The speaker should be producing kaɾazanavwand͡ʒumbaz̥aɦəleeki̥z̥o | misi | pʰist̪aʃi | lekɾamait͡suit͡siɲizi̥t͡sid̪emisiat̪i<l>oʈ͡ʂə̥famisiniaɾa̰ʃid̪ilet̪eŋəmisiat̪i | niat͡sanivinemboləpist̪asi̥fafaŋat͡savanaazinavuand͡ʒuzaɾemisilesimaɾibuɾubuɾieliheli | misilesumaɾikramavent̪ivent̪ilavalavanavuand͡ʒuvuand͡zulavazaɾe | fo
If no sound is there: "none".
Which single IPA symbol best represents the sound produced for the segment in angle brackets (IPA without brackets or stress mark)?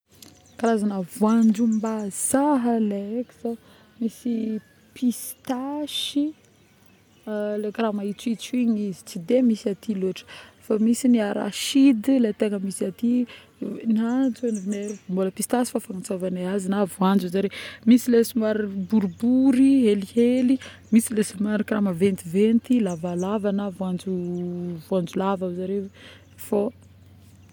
l